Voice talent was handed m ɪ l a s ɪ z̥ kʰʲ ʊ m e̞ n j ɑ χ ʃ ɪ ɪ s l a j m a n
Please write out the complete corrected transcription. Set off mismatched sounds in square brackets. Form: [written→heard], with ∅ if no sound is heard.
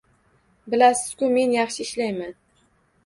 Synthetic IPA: [m→b] ɪ l a s ɪ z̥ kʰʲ ʊ m e̞ n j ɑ χ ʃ ɪ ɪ [s→ʃ] l a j m a n